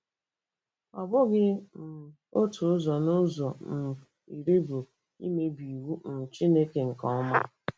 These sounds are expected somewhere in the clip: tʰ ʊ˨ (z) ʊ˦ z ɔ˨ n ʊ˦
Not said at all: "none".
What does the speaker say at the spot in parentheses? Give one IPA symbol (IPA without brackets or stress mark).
none